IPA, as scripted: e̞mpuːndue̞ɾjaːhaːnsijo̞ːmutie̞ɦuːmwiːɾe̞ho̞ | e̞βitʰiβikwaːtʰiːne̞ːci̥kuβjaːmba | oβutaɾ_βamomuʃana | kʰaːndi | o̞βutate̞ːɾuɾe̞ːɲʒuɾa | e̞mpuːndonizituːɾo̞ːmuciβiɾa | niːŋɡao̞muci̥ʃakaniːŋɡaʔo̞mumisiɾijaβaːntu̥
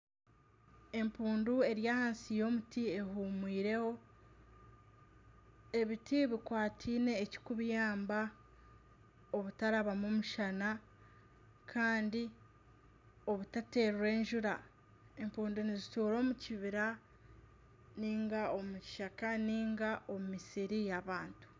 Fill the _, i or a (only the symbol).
a